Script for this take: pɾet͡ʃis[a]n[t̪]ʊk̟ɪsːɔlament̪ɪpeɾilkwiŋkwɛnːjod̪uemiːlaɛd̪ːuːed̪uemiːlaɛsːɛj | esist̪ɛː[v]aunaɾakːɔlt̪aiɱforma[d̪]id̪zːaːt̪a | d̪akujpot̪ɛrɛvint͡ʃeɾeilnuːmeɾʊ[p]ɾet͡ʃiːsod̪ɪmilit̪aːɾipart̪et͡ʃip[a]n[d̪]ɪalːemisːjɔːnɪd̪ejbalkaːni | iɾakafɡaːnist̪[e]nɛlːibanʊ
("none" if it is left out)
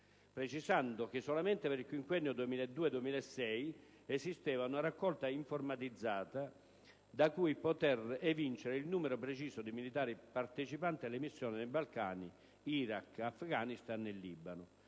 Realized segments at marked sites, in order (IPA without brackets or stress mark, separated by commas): a, d̪, v, t̪, p, a, t̪, a